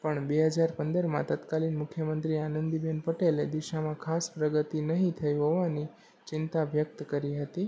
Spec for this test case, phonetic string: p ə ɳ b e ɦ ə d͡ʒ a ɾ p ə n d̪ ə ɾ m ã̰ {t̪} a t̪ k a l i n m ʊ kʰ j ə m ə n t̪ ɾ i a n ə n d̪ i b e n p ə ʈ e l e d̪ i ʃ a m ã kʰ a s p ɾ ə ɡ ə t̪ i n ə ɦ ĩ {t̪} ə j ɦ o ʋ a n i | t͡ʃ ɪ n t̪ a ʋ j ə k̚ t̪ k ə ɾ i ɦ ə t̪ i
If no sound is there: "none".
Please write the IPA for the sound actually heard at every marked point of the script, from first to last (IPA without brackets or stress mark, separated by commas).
t̪, t̪ʰ